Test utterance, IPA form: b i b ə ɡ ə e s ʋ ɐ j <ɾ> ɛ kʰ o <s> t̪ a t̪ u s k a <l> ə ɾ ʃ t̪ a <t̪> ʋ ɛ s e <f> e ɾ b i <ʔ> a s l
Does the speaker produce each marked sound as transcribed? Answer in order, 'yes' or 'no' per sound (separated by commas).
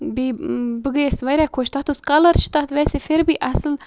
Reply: yes, no, yes, yes, yes, yes